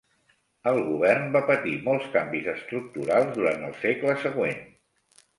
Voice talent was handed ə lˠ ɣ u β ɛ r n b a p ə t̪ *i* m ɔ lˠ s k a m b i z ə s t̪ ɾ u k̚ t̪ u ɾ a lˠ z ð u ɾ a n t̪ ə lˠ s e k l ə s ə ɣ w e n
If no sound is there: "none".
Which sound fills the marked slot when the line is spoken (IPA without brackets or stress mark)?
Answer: i